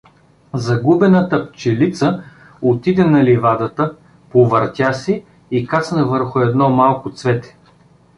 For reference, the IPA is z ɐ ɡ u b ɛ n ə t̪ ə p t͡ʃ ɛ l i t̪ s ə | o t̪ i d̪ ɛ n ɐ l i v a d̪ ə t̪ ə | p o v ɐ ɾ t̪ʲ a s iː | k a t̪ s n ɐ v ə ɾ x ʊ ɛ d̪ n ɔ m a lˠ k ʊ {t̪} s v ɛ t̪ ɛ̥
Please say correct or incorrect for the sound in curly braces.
correct